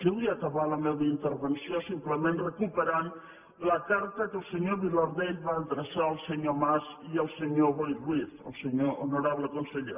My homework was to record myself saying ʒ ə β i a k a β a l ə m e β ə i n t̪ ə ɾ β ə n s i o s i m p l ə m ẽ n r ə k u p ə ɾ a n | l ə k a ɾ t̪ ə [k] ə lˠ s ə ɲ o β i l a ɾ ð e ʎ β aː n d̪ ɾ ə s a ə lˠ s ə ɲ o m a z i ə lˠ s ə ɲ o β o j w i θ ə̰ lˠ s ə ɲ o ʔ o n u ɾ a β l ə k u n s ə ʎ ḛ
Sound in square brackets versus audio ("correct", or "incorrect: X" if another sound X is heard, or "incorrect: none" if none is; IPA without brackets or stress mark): correct